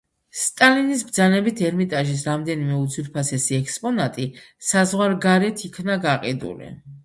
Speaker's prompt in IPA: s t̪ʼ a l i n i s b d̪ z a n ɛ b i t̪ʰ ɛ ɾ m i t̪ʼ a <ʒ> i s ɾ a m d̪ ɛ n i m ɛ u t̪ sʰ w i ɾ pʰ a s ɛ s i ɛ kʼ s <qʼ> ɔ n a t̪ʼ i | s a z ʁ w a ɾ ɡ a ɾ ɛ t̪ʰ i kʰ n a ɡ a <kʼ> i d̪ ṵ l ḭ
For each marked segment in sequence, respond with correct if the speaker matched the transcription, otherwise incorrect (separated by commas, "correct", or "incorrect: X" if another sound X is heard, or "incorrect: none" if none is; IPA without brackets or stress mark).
correct, incorrect: pʼ, incorrect: qʼ